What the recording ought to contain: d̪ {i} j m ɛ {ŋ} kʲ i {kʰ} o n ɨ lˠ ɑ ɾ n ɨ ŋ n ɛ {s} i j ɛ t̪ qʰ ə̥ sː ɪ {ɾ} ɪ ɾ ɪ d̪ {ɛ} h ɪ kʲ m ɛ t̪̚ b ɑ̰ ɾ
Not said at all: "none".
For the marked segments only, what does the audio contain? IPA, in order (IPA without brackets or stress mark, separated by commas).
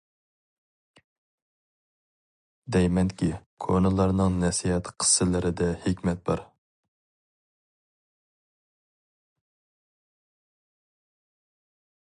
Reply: ɛ, n, kʰ, s, l, ɛ